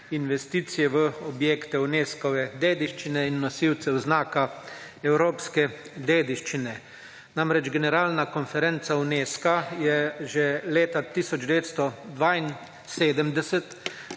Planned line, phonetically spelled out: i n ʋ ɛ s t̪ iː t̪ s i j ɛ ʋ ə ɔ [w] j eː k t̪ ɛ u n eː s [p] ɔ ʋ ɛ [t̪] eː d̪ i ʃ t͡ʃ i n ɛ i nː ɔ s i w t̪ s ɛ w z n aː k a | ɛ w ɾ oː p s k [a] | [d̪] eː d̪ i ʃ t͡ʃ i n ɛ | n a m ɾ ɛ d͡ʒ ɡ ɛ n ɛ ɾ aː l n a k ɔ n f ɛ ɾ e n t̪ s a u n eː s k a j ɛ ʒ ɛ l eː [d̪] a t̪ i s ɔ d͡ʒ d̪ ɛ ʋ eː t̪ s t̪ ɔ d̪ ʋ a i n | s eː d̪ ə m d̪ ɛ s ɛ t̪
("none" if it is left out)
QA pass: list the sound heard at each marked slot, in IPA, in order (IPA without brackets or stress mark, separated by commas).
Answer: b, k, d̪, ɛ, d̪, t̪